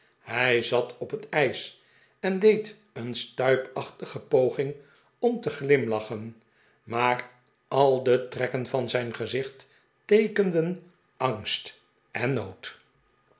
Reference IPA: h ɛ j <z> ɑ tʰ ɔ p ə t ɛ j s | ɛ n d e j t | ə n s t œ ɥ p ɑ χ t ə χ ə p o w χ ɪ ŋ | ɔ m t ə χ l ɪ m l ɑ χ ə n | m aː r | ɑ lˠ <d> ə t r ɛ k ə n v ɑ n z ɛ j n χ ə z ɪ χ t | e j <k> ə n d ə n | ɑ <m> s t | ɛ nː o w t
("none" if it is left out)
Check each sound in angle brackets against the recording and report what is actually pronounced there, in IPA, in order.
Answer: z, d, k, ŋ

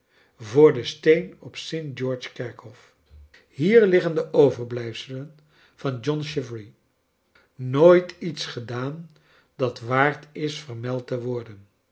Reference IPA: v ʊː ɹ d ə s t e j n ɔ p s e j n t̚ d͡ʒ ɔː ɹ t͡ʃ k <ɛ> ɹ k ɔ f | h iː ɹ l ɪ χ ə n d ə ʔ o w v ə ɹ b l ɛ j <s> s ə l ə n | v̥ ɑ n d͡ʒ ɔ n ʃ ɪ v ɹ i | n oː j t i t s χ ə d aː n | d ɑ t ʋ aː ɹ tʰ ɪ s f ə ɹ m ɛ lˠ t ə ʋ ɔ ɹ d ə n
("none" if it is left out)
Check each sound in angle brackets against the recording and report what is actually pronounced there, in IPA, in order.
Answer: ɛ, f

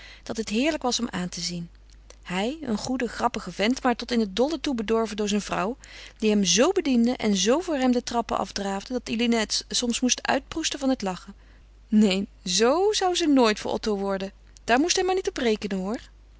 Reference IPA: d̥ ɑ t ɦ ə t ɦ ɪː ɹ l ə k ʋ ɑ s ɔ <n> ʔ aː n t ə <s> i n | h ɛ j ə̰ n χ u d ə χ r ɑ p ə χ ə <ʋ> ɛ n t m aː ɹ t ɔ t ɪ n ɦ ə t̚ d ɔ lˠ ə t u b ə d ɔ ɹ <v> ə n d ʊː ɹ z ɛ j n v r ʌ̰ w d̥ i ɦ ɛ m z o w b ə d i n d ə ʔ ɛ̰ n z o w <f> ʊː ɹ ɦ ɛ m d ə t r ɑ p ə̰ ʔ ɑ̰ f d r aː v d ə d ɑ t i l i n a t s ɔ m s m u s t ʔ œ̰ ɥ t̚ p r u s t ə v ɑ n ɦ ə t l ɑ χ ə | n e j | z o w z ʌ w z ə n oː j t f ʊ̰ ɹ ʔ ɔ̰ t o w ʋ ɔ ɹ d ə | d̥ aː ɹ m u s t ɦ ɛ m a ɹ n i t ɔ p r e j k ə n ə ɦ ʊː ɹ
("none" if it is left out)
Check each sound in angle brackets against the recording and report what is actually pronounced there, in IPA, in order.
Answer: m, z, v, v, v

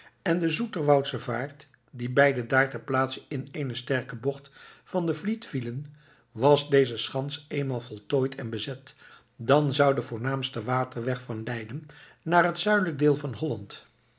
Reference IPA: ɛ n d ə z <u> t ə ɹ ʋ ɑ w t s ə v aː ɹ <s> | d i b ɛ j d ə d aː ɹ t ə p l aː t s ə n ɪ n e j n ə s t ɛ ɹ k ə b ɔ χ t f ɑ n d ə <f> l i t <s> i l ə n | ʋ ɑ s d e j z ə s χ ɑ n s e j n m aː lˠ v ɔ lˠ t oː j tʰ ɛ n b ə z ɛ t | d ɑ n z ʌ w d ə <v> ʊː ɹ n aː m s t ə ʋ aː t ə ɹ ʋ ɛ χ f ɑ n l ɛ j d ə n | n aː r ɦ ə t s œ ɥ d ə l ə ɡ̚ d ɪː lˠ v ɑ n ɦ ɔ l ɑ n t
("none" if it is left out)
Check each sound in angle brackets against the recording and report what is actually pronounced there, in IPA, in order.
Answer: u, t, v, f, v

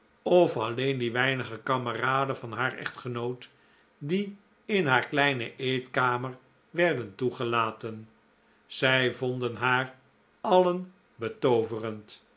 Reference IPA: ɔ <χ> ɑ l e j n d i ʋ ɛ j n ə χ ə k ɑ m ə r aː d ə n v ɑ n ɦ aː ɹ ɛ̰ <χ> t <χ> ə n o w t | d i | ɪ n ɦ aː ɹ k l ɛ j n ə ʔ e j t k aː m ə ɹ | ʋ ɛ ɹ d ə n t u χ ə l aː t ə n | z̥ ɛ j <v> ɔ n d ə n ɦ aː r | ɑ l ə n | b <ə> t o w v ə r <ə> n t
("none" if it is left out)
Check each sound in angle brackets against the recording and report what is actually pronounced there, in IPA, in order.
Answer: f, χ, χ, v, ə, ə

